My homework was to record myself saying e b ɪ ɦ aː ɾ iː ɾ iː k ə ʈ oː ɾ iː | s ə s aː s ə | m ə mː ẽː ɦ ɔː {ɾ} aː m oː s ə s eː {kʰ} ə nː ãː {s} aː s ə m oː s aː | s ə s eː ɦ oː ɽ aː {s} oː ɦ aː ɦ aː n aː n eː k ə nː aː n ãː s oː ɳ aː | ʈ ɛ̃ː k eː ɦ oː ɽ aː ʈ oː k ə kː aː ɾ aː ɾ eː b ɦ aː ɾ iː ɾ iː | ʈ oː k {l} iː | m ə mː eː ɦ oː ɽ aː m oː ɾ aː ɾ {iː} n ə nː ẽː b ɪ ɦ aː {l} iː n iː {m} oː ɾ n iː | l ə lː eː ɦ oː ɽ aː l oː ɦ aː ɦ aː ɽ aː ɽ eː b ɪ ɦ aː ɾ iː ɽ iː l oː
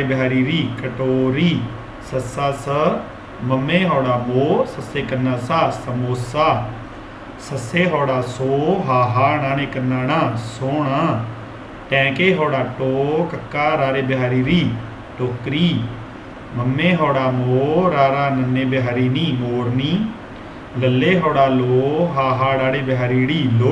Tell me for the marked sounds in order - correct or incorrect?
incorrect: ɽ, incorrect: k, correct, correct, incorrect: ɾ, incorrect: aː, incorrect: ɾ, correct

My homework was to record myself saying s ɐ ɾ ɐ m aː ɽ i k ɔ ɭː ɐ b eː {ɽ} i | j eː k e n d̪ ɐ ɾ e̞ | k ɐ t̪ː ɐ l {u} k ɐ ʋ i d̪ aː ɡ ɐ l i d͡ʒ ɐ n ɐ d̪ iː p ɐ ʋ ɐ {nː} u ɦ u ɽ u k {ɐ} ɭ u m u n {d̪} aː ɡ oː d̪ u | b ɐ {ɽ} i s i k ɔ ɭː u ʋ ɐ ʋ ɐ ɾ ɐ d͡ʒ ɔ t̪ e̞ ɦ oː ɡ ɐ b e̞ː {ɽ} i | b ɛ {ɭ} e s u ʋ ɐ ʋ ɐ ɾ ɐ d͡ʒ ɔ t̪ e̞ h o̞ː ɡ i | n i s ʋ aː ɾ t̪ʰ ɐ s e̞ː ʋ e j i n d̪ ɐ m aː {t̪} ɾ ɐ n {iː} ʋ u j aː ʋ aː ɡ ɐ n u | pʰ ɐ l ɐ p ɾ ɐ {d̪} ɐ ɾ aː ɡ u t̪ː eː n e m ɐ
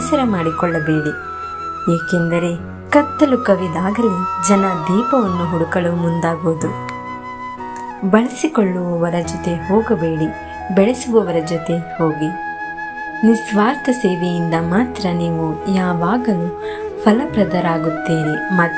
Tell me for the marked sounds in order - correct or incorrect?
correct, correct, correct, correct, correct, incorrect: ɭ, correct, correct, correct, correct, correct

